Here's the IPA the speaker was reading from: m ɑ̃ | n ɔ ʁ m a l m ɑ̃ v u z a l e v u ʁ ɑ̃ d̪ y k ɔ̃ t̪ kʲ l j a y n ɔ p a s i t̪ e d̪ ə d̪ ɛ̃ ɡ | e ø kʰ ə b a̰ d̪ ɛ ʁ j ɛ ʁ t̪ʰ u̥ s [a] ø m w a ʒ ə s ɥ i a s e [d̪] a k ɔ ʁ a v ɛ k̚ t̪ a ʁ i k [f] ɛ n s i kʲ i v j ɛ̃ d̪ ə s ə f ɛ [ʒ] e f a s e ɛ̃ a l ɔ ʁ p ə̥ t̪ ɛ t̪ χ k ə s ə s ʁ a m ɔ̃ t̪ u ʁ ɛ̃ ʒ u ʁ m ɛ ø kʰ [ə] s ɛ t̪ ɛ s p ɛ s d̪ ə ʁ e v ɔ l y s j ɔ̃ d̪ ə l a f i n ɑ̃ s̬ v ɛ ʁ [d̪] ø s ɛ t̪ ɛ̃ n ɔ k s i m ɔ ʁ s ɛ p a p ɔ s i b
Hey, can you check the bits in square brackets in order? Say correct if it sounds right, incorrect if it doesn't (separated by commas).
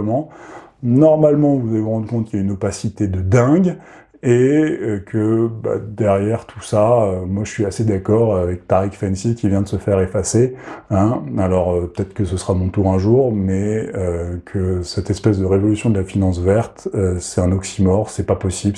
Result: correct, correct, correct, incorrect, correct, incorrect